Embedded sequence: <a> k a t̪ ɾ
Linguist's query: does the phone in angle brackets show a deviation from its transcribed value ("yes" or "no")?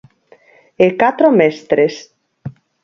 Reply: yes